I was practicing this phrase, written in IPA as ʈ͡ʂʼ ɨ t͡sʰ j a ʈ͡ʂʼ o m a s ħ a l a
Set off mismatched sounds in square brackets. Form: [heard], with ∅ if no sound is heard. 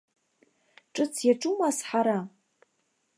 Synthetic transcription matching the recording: ʈ͡ʂʼ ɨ t͡sʰ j a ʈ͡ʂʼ [u] m a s ħ a [ɾ] a